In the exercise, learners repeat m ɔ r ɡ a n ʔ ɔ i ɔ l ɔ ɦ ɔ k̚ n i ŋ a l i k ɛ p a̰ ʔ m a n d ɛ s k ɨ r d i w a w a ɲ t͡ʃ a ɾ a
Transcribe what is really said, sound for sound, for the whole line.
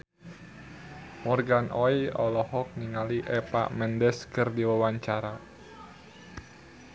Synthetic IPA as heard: m ɔ r ɡ a n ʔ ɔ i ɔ l ɔ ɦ ɔ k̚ n i ŋ a l i ʔ ɛ p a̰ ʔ m ɛ n d ɛ s k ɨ r d i w a w a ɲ t͡ʃ a ɾ a

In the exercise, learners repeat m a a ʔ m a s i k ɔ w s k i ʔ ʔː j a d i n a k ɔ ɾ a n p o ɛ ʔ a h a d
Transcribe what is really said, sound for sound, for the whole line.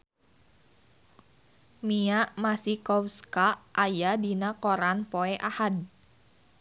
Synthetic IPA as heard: m i a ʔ m a s i k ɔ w s k a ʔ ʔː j a d i n a k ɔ ɾ a n p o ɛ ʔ a h a d

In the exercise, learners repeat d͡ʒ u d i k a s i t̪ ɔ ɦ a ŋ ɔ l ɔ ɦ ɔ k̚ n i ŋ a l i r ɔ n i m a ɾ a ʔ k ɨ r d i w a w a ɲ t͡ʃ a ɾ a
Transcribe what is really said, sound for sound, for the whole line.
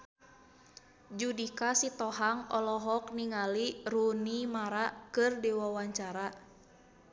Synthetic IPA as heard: d͡ʒ u d i k a s i t̪ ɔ ɦ a ŋ ɔ l ɔ ɦ ɔ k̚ n i ŋ a l i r u n i m a ɾ a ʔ k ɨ r d i w a w a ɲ t͡ʃ a ɾ a

